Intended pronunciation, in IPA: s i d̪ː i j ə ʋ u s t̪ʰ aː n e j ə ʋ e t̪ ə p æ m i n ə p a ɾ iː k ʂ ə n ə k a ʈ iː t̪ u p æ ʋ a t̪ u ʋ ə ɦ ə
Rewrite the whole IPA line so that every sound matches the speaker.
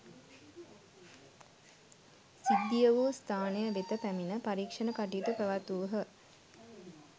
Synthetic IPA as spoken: s i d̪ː i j ə ʋ u s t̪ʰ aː n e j ə ʋ e t̪ ə p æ m i n ə p a ɾ iː k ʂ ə n ə k a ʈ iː t̪ u p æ ʋ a t̪ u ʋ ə ɦ ə